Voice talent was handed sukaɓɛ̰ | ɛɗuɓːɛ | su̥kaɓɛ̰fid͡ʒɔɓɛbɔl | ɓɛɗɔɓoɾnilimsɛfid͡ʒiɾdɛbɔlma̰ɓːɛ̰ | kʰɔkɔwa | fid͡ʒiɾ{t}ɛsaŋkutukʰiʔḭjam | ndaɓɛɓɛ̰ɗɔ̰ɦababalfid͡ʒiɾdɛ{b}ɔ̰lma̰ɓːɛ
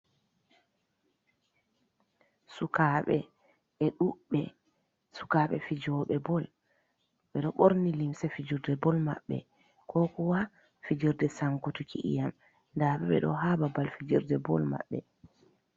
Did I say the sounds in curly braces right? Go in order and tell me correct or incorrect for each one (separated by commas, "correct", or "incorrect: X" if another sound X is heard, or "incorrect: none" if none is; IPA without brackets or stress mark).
incorrect: d, correct